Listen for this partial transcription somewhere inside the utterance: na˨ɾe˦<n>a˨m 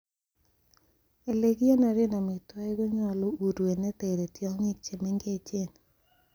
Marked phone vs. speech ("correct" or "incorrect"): correct